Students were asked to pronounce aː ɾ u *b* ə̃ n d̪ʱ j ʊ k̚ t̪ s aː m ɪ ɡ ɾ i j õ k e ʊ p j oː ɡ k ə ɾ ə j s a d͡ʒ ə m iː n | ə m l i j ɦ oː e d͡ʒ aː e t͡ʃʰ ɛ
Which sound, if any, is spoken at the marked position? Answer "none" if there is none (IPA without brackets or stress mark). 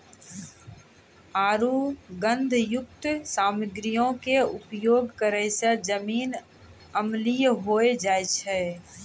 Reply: ɡ